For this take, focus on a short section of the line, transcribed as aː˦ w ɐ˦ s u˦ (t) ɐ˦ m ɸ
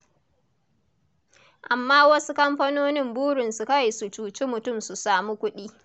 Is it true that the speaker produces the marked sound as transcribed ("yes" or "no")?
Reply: no